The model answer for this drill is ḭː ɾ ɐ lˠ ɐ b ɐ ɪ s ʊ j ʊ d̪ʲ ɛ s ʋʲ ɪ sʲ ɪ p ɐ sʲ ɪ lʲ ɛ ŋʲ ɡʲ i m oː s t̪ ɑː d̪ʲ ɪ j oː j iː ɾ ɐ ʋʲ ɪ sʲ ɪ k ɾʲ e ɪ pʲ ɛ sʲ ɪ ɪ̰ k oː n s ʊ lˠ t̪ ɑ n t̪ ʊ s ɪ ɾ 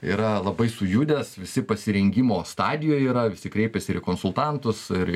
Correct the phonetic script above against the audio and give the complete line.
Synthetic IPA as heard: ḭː ɾ ɐ lˠ ɐ b ɐ ɪ s ʊ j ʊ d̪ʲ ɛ s ʋʲ ɪ sʲ ɪ p ɐ sʲ ɪ ɾʲ ɛ ŋʲ ɡʲ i m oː s t̪ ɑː d̪ʲ ɪ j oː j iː ɾ ɐ ʋʲ ɪ sʲ ɪ k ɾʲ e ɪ pʲ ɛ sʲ ɪ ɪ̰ k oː n s ʊ lˠ t̪ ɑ n t̪ ʊ s ɪ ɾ

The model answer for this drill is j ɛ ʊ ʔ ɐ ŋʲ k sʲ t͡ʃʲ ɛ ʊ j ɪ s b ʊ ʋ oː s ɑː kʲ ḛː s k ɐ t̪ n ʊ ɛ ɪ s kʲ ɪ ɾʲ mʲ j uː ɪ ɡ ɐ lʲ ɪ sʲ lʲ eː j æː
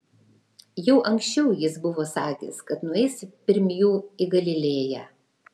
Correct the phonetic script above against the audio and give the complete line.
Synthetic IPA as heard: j ɛ ʊ ʔ ɐ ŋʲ k sʲ t͡ʃʲ ɛ ʊ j ɪ s b ʊ ʋ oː s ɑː kʲ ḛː s k ɐ t̪ n ʊ ɛ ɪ s pʲ ɪ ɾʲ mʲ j uː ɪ ɡ ɐ lʲ ɪ lʲ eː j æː

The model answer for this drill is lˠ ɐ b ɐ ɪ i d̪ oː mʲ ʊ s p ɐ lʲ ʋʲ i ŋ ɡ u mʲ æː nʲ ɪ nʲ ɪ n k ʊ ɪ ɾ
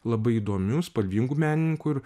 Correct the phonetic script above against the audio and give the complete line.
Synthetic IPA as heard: lˠ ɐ b ɐ ɪ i d̪ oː mʲ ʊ s p ɐ lʲ ʋʲ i ŋ ɡ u mʲ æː nʲ ɪ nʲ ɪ ŋ k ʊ ɪ ɾ

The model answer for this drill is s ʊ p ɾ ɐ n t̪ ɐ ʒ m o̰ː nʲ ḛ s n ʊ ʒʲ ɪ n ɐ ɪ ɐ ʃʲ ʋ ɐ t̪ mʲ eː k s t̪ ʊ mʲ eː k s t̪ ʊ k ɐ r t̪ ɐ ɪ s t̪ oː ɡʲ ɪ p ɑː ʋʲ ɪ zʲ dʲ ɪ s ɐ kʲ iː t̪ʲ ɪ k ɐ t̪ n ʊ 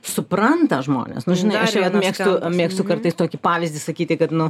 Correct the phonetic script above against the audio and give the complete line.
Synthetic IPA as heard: s ʊ p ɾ ɐ n t̪ ɐ ʒ m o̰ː nʲ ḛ s n ʊ ʒʲ ɪ n ɐ ɪ ɐ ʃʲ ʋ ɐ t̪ mʲ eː k s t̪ ʊ mʲ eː k s t̪ ʊ k ɐ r t̪ ɐ ɪ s t̪ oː kʲ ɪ p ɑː ʋʲ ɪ zʲ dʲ ɪ s ɐ kʲ iː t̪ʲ ɪ k ɐ t̪ n ʊ

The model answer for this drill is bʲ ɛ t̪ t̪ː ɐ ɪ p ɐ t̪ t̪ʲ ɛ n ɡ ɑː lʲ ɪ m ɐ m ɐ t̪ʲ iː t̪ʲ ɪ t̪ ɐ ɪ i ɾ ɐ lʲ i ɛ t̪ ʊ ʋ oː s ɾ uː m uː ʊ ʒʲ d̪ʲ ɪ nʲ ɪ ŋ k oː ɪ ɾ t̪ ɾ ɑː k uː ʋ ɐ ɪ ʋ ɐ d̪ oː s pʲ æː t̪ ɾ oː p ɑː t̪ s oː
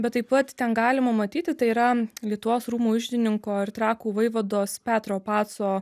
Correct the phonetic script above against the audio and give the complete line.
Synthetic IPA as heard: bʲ ɛ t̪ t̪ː ɐ ɪ p ɐ t̪ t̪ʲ ɛ n ɡ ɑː lʲ ɪ m ɐ m ɐ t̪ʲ iː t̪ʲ ɪ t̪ ɐ ɪ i ɾ ɐ lʲ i ɛ t̪ ʊ ʋ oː s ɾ uː m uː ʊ ʒʲ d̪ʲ ɪ nʲ ɪ ŋ k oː ɪ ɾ t̪ ɾ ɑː k uː ʋ ɐ ɪ ʋ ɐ d̪ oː s pʲ æː t̪ ɾ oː p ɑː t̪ s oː

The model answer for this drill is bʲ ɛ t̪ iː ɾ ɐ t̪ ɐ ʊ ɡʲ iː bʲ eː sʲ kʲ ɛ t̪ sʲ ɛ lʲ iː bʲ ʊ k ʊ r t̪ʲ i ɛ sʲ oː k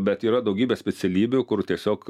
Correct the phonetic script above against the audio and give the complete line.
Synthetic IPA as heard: bʲ ɛ t̪ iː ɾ ɐ d̪ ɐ ʊ ɡʲ iː bʲ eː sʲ pʲ ɛ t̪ sʲ ɛ lʲ iː bʲ ʊ k ʊ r t̪ʲ i ɛ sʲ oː k

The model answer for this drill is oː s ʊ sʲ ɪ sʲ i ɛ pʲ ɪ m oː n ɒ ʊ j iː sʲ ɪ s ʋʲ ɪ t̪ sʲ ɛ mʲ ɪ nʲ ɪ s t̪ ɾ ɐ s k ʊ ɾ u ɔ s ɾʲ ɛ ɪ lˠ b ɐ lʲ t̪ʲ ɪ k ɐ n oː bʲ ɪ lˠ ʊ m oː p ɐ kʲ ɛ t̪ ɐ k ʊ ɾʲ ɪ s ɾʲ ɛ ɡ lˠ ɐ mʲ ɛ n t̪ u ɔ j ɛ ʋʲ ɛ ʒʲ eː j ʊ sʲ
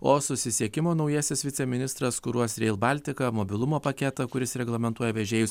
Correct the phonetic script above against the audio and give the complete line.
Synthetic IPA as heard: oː s ʊ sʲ ɪ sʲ i ɛ kʲ ɪ m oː n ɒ ʊ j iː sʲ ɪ s ʋʲ ɪ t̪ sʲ ɛ mʲ ɪ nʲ ɪ s t̪ ɾ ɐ s k ʊ ɾ u ɔ s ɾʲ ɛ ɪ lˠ b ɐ lʲ t̪ʲ ɪ k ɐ m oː bʲ ɪ lˠ ʊ m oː p ɐ kʲ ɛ t̪ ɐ k ʊ ɾʲ ɪ s ɾʲ ɛ ɡ lˠ ɐ mʲ ɛ n t̪ u ɔ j ɛ ʋʲ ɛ ʒʲ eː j ʊ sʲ

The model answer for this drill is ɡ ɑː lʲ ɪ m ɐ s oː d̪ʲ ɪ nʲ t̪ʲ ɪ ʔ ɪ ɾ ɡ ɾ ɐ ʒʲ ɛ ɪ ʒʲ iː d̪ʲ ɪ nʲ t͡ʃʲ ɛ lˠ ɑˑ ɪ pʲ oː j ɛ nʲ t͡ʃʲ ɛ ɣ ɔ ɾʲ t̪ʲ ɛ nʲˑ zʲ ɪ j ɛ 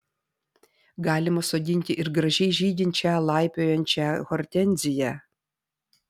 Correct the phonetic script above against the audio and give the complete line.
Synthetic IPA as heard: ɡ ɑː lʲ ɪ m ɐ s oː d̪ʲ ɪ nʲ t̪ʲ ɪ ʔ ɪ ɾ ɡ ɾ ɐ ʒʲ ɛ ɪ ʒʲ iː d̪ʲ ɪ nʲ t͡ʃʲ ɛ lˠ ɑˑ ɪ pʲ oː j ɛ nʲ t͡ʃʲ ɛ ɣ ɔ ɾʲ t̪ʲ ɛ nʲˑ zʲ ɪ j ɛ

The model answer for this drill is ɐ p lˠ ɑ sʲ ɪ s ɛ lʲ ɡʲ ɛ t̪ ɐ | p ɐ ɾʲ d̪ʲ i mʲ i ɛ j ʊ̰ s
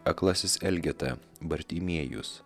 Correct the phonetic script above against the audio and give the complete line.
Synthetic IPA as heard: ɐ k lˠ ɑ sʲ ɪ s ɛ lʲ ɡʲ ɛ t̪ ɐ | b ɐ ɾʲ t̪ʲ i mʲ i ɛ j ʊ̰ s

